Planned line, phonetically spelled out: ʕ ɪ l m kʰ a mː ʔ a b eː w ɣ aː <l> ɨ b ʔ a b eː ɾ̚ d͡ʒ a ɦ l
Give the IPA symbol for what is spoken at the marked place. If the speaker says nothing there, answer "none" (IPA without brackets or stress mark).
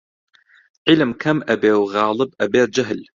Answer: l